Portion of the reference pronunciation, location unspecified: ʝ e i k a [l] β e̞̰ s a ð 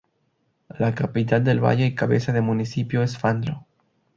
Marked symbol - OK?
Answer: no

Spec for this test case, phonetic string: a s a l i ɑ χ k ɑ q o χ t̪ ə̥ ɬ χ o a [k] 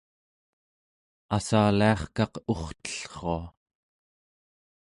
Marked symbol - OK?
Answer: no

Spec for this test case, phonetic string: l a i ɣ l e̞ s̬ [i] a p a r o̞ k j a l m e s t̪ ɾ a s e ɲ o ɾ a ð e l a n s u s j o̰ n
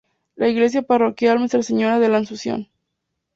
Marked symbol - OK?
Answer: no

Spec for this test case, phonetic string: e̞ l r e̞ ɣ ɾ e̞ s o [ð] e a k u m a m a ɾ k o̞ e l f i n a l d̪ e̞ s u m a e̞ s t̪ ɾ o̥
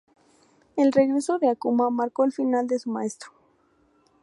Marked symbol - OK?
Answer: yes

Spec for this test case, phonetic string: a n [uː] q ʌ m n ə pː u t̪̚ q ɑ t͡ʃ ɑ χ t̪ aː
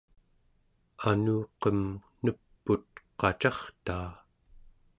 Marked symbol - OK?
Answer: yes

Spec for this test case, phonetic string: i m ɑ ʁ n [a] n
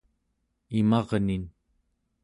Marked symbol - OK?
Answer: no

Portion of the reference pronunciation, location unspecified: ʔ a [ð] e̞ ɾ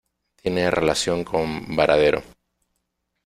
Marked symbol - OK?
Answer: yes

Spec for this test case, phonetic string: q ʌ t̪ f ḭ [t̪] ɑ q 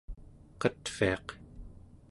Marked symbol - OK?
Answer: no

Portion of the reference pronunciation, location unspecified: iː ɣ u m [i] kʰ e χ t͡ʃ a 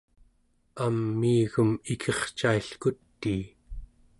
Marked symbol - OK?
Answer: yes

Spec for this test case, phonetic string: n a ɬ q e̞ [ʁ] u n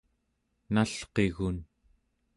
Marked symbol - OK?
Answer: no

